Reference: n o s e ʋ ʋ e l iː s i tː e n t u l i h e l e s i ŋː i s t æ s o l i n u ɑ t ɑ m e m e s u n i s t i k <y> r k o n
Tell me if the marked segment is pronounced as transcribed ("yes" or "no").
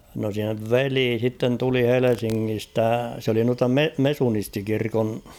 no